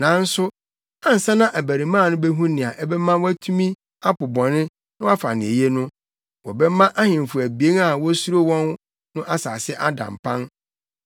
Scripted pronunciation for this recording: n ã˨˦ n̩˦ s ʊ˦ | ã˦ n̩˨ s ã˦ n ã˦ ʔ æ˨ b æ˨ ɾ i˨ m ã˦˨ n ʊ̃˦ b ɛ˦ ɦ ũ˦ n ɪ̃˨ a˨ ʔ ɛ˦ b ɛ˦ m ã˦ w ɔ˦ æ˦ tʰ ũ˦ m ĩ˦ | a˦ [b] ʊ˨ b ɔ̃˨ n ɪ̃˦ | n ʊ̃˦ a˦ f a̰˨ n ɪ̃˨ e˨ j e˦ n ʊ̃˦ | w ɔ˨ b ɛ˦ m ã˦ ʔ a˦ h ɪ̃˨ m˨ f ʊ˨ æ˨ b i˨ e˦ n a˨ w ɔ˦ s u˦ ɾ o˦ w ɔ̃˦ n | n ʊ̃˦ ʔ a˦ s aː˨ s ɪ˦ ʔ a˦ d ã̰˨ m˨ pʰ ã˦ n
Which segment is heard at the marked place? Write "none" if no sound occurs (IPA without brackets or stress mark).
p